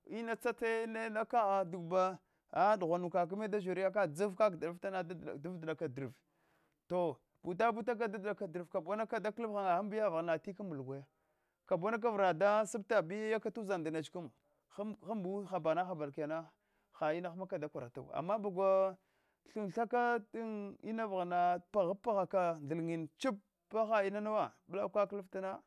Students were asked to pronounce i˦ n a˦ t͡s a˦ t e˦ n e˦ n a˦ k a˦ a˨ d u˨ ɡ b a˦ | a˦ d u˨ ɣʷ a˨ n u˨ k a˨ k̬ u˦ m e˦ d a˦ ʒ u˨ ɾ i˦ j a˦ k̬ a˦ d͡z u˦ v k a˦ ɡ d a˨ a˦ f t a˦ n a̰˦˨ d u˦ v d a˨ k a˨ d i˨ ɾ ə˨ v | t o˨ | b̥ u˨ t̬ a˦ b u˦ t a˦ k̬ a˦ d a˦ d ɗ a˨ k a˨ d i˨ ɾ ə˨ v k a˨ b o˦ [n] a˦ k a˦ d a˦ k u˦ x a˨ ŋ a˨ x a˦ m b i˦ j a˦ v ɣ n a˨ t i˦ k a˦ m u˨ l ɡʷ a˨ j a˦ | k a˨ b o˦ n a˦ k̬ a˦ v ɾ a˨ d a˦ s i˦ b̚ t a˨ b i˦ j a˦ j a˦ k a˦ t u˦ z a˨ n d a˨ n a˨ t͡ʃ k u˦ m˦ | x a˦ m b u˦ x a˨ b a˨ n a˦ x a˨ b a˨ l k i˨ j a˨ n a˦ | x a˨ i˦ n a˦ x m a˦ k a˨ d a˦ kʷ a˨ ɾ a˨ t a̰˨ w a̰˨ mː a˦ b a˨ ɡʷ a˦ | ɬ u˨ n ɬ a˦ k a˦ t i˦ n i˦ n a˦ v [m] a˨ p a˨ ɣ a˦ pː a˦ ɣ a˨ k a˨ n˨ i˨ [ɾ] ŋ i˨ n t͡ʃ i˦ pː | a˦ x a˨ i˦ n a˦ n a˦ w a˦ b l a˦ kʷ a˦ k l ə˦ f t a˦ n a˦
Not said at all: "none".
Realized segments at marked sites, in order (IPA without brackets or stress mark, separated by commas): n, n, l